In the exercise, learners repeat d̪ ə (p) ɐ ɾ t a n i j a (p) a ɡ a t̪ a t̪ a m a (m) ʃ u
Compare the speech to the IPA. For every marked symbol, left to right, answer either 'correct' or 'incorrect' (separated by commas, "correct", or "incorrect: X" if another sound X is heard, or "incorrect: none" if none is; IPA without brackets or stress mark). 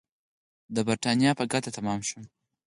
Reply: incorrect: b, correct, correct